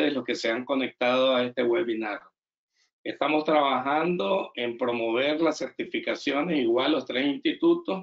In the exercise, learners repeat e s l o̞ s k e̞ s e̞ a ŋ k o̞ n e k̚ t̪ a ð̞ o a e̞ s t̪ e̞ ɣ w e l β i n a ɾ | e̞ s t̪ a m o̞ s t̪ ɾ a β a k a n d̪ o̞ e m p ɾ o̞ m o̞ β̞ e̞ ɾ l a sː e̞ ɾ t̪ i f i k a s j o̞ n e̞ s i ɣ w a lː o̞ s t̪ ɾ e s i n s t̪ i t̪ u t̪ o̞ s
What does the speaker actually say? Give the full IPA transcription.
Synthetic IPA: e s l o̞ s k e̞ s e̞ a ŋ k o̞ n e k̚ t̪ a ð̞ o a e̞ s t̪ e̞ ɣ w e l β i n a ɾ | e̞ s t̪ a m o̞ s t̪ ɾ a β a x a n d̪ o̞ e m p ɾ o̞ m o̞ β̞ e̞ ɾ l a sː e̞ ɾ t̪ i f i k a s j o̞ n e̞ s i ɣ w a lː o̞ s t̪ ɾ e s i n s t̪ i t̪ u t̪ o̞ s